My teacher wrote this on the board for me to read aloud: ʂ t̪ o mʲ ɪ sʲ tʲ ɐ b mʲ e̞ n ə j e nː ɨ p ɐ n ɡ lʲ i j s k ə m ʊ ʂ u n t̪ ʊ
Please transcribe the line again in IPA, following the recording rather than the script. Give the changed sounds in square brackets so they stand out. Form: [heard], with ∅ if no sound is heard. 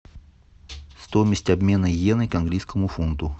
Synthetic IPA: [s] t̪ o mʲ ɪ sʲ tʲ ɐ b mʲ e̞ n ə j e [n] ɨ [k] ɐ n ɡ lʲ i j s k ə m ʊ [f] u n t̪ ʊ